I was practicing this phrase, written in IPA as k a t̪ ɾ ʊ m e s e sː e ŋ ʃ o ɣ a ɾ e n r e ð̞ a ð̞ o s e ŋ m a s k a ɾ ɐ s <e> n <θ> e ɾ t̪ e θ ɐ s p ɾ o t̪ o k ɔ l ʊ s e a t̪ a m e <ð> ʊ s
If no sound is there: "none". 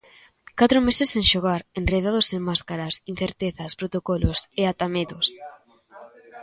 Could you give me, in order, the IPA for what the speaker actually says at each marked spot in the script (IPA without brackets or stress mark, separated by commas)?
i, θ, ð